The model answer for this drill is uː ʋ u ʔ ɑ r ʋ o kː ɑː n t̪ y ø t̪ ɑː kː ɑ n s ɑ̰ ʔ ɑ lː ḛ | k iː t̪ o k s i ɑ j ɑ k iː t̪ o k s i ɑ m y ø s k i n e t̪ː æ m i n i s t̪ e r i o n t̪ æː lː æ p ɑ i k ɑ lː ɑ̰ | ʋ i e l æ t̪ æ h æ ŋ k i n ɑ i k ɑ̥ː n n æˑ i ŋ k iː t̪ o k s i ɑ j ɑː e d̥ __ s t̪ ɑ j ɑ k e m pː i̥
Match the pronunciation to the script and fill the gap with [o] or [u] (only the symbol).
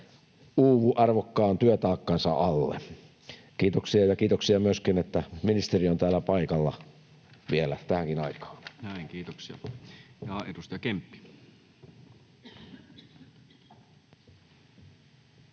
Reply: u